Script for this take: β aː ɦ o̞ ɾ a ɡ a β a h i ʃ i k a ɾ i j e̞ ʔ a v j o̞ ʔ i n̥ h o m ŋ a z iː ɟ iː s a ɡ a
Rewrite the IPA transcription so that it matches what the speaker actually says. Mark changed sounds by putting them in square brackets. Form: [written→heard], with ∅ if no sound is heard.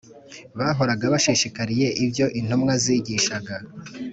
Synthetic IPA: β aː ɦ o̞ ɾ a ɡ a β a [h→ʃ] i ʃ i k a ɾ i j e̞ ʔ [a→i] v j o̞ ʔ i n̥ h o m ŋ a z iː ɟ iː [s→ʃ] a ɡ a